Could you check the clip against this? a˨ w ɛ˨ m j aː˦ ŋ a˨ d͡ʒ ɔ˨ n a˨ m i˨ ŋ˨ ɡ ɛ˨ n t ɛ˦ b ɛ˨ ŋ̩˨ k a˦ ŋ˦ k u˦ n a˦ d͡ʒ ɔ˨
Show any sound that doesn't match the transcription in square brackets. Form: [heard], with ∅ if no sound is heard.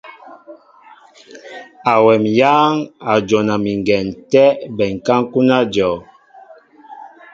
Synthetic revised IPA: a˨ w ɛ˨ m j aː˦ ŋ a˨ d͡ʒ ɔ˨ n a˨ m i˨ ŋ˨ ɡ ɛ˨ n t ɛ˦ b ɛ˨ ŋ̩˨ k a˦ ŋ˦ k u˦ n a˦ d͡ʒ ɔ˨